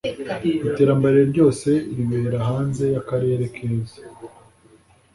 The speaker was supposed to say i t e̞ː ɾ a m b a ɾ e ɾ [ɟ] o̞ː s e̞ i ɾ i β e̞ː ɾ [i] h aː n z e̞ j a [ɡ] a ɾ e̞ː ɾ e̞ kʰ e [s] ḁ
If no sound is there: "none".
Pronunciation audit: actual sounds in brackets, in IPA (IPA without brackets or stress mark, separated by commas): ɟ, a, k, z